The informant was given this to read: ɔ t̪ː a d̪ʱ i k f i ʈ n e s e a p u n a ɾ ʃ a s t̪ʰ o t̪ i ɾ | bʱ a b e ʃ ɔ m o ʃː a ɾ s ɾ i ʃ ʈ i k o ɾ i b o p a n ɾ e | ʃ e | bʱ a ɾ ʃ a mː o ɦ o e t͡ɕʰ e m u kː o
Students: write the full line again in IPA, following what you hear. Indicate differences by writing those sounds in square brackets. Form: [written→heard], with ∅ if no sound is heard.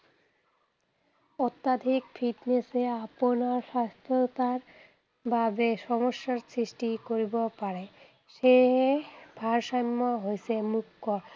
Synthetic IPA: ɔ t̪ː a d̪ʱ i k f i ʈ n e s e a p [u→o] n a ɾ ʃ a s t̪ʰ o t̪ [i→a] ɾ | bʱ a b e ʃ ɔ m o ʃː a ɾ s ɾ i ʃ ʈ i k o ɾ i b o p a [n→∅] ɾ e | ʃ e | bʱ a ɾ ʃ a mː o ɦ o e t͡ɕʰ e m u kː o